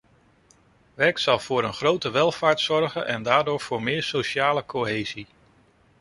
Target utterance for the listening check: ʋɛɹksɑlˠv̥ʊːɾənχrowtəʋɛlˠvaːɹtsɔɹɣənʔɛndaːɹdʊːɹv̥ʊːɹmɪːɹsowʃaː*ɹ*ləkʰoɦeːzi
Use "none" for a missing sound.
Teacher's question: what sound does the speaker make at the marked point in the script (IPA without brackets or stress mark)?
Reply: none